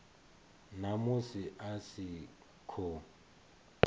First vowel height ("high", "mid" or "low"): low